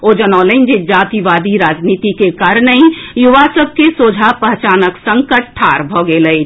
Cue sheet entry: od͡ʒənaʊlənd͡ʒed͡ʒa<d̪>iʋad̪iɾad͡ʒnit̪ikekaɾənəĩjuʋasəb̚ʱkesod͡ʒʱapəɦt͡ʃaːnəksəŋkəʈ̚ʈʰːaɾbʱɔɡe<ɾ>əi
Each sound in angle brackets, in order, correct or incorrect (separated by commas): incorrect, incorrect